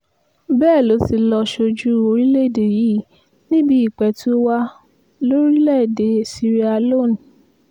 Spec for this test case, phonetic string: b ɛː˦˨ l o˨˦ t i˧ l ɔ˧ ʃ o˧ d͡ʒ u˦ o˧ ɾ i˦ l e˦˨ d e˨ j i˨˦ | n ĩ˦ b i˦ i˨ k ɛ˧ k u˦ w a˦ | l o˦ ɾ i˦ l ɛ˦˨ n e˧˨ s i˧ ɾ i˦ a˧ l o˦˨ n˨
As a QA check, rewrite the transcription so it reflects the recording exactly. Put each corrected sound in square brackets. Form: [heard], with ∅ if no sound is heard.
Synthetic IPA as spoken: b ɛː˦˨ l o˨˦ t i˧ l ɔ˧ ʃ o˧ d͡ʒ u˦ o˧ ɾ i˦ l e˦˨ d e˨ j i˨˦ | n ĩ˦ b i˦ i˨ [k͡p] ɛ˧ [t] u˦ w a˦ | l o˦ ɾ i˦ l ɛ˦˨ [d] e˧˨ s i˧ ɾ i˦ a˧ l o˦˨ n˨